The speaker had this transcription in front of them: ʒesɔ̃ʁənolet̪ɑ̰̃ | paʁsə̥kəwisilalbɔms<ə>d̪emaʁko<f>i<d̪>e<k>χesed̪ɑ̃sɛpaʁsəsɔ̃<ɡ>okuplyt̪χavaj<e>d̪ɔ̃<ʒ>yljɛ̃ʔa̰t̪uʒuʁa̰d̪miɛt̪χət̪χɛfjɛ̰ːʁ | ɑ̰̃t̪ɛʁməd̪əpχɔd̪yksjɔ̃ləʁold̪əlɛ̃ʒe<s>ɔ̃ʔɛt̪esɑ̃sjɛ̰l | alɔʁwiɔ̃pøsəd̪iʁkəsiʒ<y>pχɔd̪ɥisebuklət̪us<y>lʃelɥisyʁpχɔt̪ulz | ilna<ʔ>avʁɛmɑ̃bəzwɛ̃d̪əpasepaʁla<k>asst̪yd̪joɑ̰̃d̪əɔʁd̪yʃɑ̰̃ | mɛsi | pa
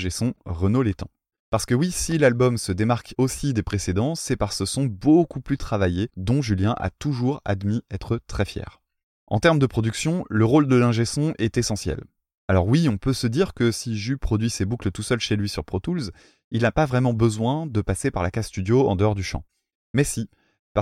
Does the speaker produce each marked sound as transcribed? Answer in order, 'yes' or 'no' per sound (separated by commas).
yes, no, yes, no, no, yes, yes, yes, yes, no, no, yes